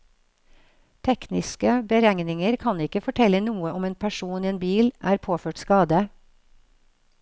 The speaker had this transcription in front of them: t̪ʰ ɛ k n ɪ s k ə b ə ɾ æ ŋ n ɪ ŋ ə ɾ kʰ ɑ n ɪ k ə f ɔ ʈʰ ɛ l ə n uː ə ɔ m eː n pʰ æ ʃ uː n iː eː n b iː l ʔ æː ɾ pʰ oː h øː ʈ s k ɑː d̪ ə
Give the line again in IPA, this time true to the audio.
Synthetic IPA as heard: t̪ʰ ɛ k n ɪ s k ə b ə ɾ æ ŋ n ɪ ŋ ə ɾ kʰ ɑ n ɪ k ə f ɔ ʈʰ ɛ l ə n uː ə ɔ m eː n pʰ æ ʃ uː n iː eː n b iː l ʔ æː ɾ pʰ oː f øː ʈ s k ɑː d̪ ə